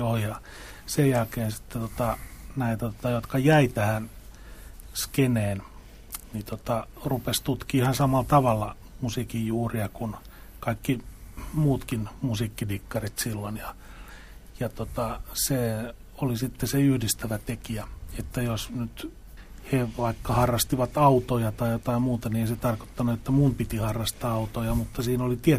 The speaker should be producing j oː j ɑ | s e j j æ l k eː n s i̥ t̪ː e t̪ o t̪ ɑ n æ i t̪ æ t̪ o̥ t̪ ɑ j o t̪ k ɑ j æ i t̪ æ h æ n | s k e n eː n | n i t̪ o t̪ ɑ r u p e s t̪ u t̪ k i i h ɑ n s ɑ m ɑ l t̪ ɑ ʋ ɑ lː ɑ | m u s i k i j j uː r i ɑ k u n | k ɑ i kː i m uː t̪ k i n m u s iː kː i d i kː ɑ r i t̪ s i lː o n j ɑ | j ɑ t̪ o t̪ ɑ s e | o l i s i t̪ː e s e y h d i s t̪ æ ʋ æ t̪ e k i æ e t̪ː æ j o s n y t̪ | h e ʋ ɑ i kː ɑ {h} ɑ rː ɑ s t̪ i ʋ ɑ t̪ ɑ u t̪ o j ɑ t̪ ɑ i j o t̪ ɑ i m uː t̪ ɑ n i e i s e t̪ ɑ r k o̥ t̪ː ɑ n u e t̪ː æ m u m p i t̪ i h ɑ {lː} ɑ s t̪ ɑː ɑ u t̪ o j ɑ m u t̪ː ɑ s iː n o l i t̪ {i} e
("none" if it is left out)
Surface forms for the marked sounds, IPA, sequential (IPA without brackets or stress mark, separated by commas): h, rː, i